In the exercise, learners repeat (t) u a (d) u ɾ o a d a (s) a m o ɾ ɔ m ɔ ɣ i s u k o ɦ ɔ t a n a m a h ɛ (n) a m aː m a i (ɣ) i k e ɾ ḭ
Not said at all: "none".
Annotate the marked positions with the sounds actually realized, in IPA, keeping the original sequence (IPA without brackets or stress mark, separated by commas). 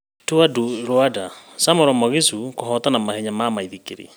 t, d, s, ɲ, ð